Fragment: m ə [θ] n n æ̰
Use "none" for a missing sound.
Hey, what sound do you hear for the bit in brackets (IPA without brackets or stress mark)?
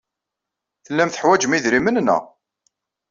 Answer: none